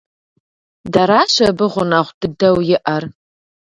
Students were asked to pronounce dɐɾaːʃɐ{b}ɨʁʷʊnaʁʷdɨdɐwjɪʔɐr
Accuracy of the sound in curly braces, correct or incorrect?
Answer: correct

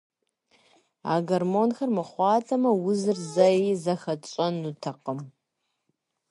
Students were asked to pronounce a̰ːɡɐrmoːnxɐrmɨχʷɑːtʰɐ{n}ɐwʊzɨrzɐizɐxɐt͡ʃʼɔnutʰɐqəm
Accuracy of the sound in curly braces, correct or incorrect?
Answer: incorrect: m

